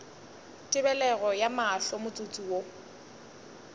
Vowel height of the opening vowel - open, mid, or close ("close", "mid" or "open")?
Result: close